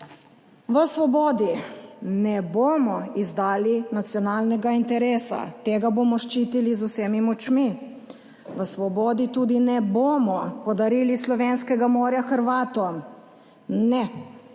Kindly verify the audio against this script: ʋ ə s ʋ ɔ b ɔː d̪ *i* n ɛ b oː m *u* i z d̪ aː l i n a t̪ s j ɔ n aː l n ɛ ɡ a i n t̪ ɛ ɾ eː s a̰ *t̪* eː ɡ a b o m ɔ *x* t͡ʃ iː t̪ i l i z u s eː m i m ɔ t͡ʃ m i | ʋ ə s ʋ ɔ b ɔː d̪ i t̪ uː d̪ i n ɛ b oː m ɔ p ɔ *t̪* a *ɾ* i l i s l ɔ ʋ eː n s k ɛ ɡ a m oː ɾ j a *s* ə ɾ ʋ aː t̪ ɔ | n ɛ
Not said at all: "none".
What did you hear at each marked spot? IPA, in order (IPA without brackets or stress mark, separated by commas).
i, ɔ, t̪, ʃ, d̪, ɾ, x